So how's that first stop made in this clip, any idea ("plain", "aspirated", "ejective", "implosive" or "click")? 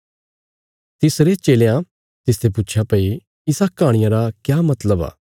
plain